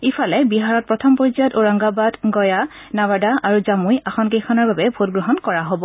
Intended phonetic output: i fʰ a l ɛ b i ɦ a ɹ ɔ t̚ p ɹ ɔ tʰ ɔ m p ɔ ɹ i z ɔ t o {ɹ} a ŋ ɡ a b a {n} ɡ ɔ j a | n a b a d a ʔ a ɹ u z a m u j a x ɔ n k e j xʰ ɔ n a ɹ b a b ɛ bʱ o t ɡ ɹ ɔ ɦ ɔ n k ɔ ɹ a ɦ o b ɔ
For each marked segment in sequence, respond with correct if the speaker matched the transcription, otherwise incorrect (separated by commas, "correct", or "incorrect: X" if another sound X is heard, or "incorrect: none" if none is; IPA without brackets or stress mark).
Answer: correct, incorrect: d